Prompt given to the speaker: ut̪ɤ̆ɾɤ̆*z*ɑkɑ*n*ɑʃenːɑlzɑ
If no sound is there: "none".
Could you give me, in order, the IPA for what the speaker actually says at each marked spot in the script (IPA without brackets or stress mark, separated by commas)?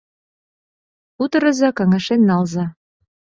z, ŋ